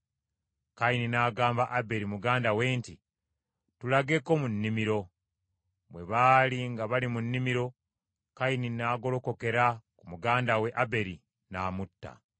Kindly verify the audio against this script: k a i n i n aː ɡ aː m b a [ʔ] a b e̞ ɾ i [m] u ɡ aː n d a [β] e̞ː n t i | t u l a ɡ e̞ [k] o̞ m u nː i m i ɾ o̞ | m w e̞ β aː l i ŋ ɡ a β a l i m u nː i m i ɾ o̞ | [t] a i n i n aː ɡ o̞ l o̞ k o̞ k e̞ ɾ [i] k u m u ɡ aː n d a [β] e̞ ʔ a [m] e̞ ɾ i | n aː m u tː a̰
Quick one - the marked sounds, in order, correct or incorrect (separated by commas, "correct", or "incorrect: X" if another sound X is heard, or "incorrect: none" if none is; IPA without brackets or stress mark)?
correct, correct, incorrect: w, correct, incorrect: k, incorrect: a, incorrect: w, incorrect: b